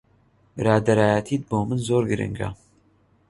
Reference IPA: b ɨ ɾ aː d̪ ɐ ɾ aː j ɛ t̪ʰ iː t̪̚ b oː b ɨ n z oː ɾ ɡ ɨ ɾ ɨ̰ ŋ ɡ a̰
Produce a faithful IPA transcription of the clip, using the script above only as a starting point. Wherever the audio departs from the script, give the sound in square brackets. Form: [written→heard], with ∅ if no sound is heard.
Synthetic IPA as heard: b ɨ ɾ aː d̪ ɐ ɾ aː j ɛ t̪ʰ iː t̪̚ b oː [b→m] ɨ n z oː ɾ ɡ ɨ ɾ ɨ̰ ŋ ɡ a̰